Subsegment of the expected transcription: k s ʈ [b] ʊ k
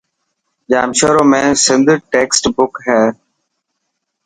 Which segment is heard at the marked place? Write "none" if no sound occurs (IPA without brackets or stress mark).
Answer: b